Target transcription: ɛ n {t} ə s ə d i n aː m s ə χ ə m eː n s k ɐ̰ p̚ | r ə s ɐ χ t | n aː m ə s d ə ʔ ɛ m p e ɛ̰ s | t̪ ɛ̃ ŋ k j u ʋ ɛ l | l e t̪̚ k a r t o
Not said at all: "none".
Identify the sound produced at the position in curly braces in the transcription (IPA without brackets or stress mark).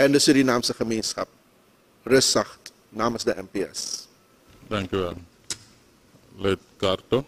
d